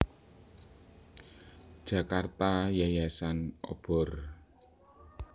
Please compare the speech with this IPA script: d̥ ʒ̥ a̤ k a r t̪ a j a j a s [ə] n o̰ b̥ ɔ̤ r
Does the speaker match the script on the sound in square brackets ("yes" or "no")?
no